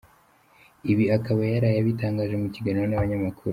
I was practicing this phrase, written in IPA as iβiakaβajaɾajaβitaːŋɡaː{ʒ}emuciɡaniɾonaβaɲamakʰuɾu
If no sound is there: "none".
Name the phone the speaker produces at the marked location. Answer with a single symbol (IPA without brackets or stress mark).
ʒ